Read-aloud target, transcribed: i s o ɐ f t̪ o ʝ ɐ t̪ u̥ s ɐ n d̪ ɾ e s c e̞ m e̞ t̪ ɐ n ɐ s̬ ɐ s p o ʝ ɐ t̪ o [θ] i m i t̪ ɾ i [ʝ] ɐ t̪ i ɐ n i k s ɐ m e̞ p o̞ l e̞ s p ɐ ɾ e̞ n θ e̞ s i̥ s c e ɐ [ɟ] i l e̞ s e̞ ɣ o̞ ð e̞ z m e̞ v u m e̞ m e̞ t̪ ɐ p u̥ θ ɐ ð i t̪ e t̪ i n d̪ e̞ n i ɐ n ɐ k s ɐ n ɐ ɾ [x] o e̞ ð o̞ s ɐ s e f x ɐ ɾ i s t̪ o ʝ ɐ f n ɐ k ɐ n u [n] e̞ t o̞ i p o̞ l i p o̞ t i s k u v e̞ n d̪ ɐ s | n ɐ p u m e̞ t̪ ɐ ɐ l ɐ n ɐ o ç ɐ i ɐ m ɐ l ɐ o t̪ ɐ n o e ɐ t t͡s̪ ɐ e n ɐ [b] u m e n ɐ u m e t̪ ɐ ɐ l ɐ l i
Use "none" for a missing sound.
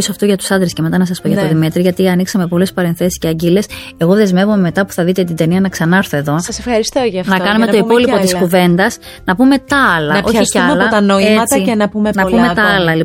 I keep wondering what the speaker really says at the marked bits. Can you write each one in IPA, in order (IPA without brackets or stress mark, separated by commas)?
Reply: ð, ʝ, ɟ, θ, m, p